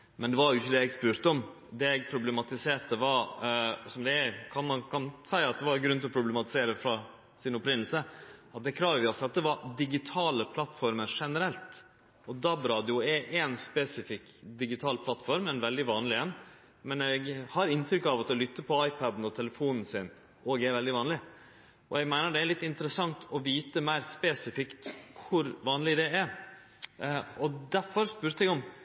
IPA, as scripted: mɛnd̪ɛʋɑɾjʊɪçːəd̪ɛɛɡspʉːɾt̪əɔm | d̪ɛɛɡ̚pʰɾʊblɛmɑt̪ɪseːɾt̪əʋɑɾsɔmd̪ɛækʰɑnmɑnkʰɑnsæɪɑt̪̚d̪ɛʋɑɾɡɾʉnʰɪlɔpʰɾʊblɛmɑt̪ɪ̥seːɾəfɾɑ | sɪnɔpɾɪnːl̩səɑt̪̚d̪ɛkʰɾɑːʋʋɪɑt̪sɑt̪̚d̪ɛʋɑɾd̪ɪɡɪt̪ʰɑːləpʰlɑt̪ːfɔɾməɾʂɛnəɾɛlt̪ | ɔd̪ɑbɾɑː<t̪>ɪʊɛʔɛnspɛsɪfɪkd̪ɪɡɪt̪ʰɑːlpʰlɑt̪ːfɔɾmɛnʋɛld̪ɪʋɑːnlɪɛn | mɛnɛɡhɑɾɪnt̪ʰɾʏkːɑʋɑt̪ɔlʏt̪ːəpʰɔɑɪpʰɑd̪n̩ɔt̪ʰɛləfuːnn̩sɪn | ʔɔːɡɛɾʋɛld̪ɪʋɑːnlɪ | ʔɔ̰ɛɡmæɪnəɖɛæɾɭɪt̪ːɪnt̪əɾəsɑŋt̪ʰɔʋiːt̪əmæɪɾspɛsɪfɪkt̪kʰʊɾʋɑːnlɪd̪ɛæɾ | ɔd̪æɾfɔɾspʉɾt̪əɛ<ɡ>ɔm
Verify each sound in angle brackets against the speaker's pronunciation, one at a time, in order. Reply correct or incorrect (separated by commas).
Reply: incorrect, correct